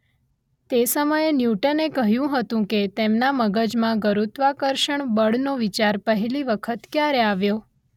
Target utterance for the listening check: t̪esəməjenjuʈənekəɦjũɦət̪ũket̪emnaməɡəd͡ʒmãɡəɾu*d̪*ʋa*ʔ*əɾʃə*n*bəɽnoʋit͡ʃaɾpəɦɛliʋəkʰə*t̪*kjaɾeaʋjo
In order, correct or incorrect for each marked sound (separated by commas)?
incorrect, incorrect, incorrect, correct